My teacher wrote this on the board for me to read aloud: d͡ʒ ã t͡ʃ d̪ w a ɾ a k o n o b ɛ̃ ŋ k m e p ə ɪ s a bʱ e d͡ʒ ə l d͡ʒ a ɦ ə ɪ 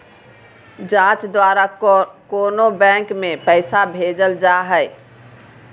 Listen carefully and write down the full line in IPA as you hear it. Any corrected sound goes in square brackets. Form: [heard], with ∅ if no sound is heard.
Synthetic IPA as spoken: d͡ʒ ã t͡ʃ d̪ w a ɾ a k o n o b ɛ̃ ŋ k m e p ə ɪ s a bʱ e d͡ʒ ə l d͡ʒ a ɦ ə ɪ